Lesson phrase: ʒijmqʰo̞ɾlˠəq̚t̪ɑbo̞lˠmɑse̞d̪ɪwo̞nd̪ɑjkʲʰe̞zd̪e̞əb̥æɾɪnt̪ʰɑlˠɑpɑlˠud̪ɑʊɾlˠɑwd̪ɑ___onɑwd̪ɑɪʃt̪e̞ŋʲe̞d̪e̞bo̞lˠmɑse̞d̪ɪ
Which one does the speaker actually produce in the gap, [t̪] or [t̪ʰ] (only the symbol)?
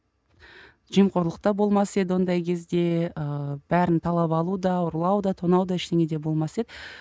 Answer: t̪ʰ